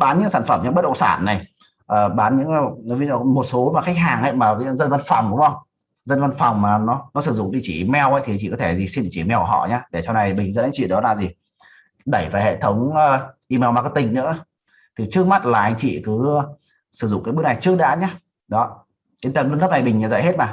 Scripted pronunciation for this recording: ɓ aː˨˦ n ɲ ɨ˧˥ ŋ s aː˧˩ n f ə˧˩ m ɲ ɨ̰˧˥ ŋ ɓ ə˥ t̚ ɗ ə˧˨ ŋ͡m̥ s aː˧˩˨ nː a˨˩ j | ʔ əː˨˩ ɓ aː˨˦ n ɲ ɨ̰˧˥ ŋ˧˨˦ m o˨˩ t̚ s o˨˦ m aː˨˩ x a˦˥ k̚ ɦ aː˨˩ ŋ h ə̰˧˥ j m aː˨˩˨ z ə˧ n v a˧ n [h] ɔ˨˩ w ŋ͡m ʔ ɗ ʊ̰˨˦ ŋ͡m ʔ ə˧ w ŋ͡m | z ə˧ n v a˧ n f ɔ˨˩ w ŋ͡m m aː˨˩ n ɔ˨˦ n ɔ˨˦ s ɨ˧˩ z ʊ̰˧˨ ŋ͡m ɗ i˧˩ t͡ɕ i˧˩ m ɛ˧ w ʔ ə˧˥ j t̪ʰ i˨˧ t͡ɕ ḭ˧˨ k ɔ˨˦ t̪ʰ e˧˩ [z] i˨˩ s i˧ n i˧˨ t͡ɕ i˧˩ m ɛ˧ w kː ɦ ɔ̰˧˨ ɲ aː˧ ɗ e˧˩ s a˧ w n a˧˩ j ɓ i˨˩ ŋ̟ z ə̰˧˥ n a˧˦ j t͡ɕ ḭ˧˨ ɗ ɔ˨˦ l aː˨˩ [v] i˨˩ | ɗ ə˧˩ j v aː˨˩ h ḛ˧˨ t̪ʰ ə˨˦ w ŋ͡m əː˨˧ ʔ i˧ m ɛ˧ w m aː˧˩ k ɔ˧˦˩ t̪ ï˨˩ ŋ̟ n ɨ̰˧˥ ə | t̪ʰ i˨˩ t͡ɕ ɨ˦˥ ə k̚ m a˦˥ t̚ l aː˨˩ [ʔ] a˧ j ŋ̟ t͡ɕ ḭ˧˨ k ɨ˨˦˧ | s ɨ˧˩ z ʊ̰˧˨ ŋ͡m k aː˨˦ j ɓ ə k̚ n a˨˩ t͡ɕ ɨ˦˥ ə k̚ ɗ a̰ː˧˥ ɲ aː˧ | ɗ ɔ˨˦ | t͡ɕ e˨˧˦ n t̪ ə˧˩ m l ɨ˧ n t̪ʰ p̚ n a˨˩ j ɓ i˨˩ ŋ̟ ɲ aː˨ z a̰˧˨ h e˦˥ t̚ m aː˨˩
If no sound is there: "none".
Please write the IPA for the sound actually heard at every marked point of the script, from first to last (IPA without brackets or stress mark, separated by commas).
f, z, z, ʔ